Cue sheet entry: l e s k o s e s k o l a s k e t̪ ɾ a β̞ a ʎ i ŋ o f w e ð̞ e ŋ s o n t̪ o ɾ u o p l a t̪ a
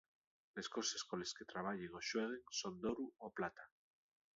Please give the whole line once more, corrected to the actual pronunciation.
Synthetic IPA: l e s k o s e s k o l e s k e t̪ ɾ a β̞ a ʎ e ŋ o ʃ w e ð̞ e ŋ s o n d̪ o ɾ u o p l a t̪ a